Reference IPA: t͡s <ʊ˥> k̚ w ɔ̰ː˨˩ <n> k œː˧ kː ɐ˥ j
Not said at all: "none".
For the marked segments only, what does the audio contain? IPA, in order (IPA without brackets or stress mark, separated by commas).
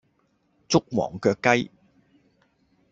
ʊ˥, ŋ